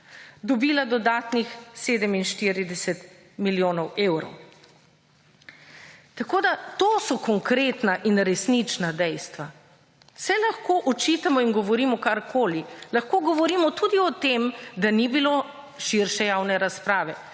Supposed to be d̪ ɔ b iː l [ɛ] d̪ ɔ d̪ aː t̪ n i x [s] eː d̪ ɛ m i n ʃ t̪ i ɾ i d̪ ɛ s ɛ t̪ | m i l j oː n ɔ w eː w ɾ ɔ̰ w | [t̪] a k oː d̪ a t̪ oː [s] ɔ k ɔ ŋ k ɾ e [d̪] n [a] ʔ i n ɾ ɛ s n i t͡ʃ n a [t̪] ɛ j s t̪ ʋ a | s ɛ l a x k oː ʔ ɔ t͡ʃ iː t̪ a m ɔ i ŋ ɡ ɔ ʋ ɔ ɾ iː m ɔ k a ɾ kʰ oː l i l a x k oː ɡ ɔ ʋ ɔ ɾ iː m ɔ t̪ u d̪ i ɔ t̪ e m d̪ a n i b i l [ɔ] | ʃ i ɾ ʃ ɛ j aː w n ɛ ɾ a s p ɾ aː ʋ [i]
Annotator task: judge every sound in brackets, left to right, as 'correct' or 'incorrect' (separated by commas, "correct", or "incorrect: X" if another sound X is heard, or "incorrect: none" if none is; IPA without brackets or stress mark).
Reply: incorrect: a, correct, correct, correct, incorrect: t̪, correct, incorrect: d̪, incorrect: o, incorrect: ɛ